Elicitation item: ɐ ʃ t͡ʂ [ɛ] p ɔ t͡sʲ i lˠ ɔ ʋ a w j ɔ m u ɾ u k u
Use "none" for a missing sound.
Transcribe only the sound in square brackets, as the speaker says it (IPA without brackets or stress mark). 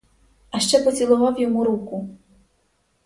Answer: ɛ